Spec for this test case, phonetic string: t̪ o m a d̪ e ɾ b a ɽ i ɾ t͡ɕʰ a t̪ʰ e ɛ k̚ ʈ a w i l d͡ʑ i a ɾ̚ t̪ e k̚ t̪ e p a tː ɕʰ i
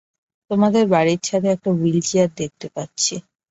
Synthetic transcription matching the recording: t̪ o m a d̪ e ɾ b a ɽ i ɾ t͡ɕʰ a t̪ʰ e ɛ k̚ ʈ a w i l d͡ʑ i a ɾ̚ d̪ e k̚ t̪ e p a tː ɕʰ i